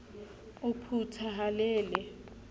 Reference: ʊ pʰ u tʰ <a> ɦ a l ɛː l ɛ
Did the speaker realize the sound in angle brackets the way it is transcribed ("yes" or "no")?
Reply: yes